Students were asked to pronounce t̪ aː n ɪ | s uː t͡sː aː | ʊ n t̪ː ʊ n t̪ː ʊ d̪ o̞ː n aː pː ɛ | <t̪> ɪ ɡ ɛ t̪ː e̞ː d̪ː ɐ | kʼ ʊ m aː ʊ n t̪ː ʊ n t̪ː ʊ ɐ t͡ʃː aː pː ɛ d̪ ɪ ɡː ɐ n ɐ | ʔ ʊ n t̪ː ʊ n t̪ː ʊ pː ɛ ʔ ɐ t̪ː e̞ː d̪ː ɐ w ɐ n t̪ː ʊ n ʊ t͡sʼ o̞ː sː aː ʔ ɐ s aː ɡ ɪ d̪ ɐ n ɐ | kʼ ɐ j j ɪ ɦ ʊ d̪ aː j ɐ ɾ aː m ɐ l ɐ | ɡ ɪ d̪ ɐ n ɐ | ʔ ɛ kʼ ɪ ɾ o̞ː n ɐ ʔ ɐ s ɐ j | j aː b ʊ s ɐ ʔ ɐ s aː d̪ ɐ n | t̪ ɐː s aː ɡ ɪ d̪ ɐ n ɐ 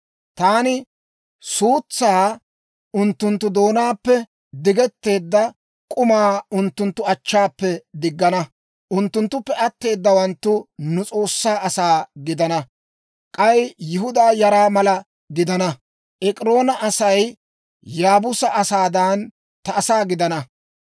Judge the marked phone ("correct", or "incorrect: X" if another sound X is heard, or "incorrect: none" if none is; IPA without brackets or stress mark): incorrect: d̪